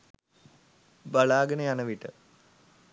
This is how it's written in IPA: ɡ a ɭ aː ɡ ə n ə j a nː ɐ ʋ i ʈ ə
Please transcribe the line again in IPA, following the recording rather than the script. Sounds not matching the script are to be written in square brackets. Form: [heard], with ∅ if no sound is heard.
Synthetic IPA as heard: [b] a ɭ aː ɡ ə n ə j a [n] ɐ ʋ i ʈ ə